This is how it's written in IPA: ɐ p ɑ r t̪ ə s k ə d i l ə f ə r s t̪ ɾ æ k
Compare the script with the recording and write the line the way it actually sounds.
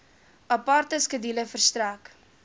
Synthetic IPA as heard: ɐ p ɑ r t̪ ə s k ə d i l ə f ə r s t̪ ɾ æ k